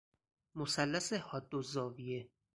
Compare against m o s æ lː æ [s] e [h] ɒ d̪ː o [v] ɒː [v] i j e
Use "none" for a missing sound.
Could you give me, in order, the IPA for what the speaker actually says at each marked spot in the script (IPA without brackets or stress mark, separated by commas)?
s, h, z, v